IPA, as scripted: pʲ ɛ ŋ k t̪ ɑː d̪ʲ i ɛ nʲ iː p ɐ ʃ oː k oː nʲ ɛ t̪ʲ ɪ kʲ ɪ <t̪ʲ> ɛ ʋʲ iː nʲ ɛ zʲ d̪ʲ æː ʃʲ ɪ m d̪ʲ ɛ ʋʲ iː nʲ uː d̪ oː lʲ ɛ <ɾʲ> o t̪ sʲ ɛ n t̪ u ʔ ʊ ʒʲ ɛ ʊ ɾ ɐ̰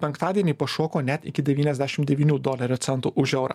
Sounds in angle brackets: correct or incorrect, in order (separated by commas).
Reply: incorrect, correct